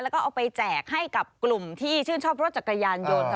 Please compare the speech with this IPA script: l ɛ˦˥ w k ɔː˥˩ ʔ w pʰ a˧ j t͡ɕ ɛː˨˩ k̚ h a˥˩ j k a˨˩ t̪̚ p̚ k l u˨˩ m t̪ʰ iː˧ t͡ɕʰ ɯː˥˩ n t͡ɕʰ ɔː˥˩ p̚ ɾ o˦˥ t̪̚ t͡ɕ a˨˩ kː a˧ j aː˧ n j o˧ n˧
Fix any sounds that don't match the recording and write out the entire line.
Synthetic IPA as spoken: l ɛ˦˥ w k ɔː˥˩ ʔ w p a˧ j t͡ɕ ɛː˨˩ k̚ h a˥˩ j k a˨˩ p̚ k l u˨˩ m t̪ʰ iː˥˩ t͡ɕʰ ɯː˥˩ n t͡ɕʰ ɔː˥˩ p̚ ɾ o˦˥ t̪̚ t͡ɕ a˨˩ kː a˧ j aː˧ n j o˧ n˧